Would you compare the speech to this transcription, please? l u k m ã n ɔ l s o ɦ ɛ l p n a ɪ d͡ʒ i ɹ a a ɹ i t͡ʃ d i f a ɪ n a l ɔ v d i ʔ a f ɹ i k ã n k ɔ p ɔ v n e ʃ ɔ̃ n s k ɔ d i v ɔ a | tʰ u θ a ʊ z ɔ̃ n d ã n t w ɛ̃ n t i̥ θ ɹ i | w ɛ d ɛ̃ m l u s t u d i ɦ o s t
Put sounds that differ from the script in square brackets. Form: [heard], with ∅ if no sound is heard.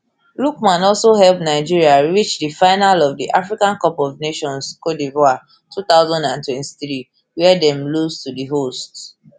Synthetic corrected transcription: l u k m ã n ɔ l s o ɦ ɛ l p n a ɪ d͡ʒ i ɹ [i] a ɹ i t͡ʃ d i f a ɪ n a l ɔ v d i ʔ a f ɹ i k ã n k ɔ p ɔ v n e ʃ ɔ̃ n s k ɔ d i v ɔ a | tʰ u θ a ʊ z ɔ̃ n d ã n t w ɛ̃ n t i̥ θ ɹ i | w ɛ d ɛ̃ m l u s t u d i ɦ o s t